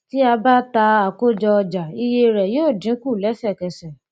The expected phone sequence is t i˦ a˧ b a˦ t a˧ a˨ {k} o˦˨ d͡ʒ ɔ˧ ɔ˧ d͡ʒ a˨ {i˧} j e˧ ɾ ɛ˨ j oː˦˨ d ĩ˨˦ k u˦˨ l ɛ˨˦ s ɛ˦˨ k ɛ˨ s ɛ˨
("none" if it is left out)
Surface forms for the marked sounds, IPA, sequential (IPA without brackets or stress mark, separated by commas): k, i˧